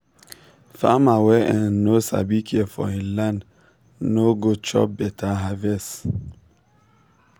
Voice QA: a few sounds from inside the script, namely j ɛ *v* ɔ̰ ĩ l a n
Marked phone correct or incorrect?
incorrect